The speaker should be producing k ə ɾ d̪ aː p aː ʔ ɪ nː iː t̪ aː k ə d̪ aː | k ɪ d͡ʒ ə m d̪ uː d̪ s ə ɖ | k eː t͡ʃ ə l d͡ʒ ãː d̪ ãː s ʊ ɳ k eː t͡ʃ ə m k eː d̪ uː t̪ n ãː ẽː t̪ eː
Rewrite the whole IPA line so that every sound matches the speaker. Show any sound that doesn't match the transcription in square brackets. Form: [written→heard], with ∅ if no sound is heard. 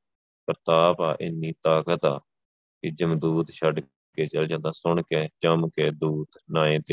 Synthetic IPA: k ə ɾ [d̪→t̪] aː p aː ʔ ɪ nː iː t̪ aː k ə [d̪→t̪] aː | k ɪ d͡ʒ ə m d̪ uː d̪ [s→ʃ] ə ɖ | k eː t͡ʃ ə l d͡ʒ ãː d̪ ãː s ʊ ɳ k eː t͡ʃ ə m k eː d̪ uː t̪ n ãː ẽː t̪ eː